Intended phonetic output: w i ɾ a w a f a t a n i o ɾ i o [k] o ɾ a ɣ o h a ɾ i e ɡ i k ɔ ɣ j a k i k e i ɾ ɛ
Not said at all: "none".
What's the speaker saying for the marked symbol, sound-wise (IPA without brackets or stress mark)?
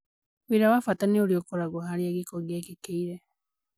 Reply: k